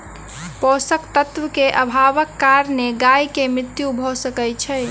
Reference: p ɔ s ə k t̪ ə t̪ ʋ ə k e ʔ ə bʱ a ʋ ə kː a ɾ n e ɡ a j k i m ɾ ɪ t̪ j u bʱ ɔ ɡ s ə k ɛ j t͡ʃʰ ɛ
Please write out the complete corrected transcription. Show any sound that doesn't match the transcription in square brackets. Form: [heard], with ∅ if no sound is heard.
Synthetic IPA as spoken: p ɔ s ə k t̪ ə t̪ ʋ ə k e ʔ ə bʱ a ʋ ə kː a ɾ n e ɡ a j k [e] m ɾ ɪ t̪ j u bʱ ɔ [∅] s ə k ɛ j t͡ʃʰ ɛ